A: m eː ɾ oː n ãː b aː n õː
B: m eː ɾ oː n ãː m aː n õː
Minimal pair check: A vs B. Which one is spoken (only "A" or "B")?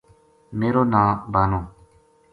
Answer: A